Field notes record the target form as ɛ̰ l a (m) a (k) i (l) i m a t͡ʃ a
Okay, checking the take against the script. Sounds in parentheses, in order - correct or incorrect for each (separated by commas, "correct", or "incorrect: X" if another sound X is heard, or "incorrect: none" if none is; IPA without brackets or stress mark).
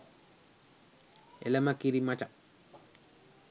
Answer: correct, correct, incorrect: ɾ